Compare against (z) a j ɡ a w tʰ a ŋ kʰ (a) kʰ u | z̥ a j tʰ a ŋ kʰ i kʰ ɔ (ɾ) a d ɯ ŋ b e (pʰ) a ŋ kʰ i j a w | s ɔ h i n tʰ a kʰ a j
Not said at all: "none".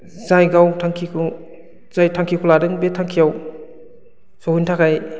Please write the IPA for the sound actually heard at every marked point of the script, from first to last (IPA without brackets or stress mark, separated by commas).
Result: z, i, l, tʰ